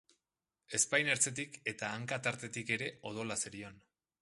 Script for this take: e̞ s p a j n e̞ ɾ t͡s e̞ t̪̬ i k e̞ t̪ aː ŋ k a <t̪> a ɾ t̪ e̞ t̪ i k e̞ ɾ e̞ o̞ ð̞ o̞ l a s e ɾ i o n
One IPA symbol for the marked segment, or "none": t̪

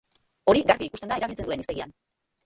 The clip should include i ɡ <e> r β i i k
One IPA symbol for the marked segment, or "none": a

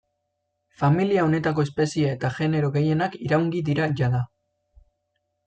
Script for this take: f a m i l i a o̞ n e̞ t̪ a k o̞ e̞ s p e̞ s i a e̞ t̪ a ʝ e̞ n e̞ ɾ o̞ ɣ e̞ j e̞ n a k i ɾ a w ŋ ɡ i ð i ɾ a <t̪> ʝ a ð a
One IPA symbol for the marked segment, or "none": none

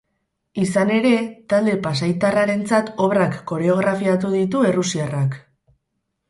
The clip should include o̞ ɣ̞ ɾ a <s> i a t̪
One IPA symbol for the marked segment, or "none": f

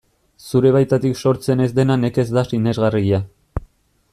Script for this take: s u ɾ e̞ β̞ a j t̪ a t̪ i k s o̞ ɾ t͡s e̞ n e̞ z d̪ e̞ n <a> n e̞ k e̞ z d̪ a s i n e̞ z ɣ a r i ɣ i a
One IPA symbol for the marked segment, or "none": a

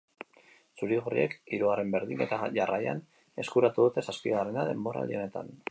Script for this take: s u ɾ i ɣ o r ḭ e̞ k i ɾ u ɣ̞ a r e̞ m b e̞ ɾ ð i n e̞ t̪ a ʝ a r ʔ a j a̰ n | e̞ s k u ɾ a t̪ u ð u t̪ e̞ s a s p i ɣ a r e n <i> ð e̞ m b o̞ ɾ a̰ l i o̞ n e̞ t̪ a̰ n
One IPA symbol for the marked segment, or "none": a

